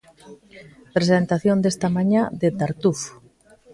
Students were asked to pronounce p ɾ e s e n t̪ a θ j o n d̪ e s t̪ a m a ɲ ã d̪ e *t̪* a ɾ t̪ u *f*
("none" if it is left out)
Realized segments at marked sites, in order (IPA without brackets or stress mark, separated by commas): t̪, f